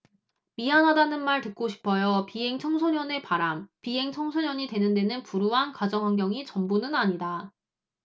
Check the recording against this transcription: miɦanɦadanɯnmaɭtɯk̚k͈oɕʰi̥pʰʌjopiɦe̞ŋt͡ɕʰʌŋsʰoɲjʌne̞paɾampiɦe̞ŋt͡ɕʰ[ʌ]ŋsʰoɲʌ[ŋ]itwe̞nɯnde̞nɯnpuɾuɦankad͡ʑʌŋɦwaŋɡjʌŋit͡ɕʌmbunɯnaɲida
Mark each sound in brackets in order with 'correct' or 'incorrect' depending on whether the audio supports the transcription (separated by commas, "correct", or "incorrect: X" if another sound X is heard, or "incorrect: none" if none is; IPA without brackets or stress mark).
correct, incorrect: ɲ